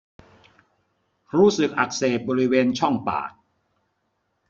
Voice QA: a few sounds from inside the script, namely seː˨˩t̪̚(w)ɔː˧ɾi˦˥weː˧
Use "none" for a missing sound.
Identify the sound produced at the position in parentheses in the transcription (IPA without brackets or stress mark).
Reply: b